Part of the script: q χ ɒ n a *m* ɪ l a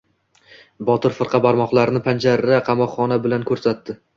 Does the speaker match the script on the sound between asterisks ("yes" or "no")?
no